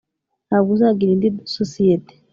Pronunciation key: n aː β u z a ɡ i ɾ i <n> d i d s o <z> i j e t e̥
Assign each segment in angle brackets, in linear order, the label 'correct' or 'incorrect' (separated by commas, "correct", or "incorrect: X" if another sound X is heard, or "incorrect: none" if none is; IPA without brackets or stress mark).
correct, incorrect: s